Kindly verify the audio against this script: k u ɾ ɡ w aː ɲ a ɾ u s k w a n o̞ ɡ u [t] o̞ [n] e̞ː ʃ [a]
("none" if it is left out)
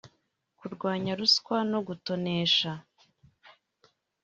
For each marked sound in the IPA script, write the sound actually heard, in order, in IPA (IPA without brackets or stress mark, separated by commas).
t, n, a